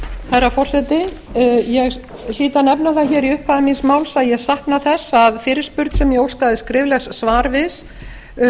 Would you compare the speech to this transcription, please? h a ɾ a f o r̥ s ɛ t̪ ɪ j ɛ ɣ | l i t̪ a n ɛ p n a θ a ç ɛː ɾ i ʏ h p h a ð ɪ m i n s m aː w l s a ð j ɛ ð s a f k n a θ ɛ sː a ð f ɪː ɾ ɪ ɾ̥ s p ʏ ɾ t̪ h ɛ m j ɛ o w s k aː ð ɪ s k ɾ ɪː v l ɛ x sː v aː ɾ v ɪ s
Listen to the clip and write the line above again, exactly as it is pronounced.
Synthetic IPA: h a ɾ a f ɔ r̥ s ɛ t̪ ɪ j ɛ ɣ | l iː t̪ a n ɛ p n a θ a ç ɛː ɾ i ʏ h p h a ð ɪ m i n s m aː w l s a ð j ɛ ɣ s a h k n a θ ɛ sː a ð f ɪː ɾ ɪ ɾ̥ s p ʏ ɾ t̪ s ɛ m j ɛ o w s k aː ð ɪ s k ɾ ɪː v l ɛ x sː v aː ɾ v ɪ s